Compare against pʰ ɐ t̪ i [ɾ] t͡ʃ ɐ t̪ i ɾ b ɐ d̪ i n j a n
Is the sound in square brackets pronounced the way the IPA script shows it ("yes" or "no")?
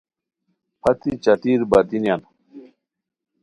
no